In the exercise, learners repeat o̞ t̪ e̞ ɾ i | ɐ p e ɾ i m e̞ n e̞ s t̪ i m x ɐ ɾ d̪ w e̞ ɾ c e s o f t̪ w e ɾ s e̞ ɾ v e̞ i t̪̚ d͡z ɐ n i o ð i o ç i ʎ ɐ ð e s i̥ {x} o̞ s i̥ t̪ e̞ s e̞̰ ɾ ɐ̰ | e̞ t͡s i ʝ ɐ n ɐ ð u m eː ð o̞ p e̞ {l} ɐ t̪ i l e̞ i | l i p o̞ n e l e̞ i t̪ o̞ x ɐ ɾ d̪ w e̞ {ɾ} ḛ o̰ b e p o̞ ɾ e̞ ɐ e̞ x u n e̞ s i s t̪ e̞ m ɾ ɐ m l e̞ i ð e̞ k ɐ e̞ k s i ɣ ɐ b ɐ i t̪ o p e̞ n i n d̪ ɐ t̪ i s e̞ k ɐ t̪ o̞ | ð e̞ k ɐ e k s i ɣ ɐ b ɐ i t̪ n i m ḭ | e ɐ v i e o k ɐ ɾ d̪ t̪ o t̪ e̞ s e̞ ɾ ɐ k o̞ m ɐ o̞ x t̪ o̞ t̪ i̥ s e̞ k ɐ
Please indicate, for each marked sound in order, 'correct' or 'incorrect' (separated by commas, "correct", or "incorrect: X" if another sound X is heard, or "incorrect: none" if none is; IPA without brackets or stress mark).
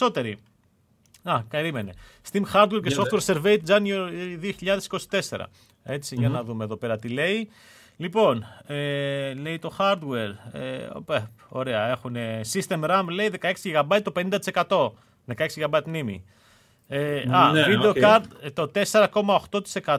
incorrect: k, incorrect: ɾ, correct